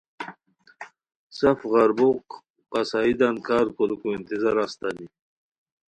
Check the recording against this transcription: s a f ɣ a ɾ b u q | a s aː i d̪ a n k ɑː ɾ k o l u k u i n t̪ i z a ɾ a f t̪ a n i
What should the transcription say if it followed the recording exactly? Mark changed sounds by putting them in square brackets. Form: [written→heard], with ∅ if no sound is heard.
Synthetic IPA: s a f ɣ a ɾ b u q | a s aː i d̪ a n k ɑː ɾ k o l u k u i n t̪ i z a ɾ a [f→s] t̪ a n i